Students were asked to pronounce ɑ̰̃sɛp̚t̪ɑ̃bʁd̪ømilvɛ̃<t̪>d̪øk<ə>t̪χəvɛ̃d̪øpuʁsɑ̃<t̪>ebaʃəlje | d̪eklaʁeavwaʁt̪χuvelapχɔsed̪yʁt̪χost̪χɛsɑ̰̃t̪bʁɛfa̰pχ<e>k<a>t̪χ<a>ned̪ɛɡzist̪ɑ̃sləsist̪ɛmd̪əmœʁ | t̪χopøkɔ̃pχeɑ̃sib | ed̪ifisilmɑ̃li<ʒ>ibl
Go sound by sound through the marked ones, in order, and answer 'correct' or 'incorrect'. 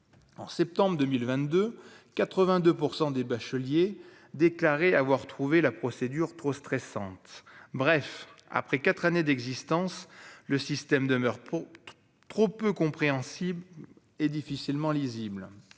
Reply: correct, incorrect: a, incorrect: d̪, incorrect: ɛ, correct, correct, incorrect: z

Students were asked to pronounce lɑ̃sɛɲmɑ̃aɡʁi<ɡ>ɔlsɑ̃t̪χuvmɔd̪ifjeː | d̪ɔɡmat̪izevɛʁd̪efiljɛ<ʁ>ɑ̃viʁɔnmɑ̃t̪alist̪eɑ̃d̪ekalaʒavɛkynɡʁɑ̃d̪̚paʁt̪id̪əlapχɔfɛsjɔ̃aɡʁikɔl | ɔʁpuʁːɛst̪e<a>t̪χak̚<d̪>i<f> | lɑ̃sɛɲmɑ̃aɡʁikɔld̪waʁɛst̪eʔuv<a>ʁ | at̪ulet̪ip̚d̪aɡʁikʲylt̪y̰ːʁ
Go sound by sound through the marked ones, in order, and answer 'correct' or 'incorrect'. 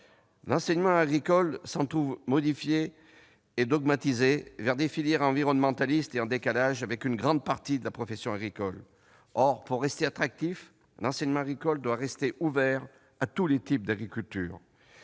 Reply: incorrect: k, correct, correct, incorrect: t̪, correct, incorrect: ɛ

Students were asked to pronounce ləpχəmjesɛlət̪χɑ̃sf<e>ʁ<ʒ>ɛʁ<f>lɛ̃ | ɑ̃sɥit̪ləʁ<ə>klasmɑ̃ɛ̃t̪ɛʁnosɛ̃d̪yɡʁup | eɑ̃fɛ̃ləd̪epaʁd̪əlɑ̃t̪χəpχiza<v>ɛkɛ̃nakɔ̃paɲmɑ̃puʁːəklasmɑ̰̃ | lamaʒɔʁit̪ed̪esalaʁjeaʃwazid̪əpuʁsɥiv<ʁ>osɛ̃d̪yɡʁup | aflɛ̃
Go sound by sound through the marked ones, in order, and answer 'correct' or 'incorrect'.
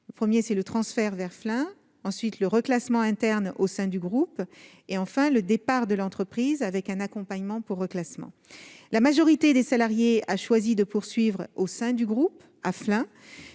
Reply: incorrect: ɛ, incorrect: v, correct, correct, correct, correct

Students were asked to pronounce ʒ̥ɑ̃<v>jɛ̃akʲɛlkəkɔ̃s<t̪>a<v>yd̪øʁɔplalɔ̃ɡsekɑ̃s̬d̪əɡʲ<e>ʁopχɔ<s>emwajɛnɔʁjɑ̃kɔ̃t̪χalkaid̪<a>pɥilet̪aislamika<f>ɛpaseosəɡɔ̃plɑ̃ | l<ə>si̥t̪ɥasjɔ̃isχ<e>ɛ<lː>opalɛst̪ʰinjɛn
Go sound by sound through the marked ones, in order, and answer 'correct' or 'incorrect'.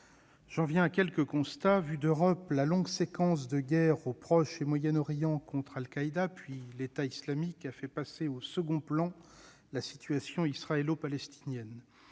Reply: correct, correct, correct, incorrect: ɛ, incorrect: ʃ, correct, correct, incorrect: a, incorrect: a, incorrect: l

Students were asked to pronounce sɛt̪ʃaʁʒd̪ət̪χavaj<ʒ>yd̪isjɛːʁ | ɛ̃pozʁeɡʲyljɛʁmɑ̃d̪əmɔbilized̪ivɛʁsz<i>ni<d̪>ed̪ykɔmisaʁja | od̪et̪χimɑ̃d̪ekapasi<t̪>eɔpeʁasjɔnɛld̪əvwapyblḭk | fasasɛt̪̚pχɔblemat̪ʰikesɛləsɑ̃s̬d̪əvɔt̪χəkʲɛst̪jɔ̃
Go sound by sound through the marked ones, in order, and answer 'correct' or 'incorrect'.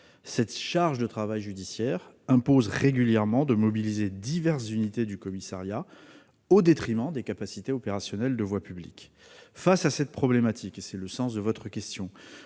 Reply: correct, incorrect: y, incorrect: t̪, correct

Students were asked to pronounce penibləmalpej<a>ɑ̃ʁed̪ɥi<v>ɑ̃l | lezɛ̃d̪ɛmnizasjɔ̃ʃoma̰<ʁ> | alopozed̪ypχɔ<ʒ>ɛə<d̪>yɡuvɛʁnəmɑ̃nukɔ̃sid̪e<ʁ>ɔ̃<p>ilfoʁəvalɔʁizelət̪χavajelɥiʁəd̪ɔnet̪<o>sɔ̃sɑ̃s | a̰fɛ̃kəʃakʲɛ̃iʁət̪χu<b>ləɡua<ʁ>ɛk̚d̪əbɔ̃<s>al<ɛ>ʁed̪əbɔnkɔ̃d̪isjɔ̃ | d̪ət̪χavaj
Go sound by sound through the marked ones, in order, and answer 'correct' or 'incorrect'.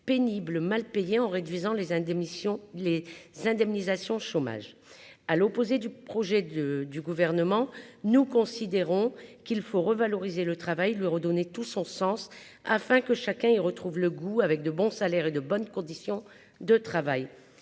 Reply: incorrect: e, incorrect: z, incorrect: ʒ, correct, correct, correct, incorrect: k, incorrect: u, incorrect: v, incorrect: v, correct, correct

